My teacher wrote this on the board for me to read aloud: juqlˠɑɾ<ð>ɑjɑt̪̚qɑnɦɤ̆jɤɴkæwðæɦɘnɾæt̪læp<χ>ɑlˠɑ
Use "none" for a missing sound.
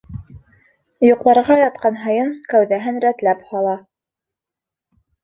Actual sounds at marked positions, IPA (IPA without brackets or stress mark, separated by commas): ʁ, h